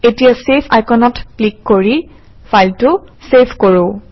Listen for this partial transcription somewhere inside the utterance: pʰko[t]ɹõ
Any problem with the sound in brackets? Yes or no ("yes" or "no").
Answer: yes